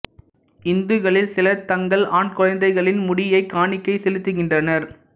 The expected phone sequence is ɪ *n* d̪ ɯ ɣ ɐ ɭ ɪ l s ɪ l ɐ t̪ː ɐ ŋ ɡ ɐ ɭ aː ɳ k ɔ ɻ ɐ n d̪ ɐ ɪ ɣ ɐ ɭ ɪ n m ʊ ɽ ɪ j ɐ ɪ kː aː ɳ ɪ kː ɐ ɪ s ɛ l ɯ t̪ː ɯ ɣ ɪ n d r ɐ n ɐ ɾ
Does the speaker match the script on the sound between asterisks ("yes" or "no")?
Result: yes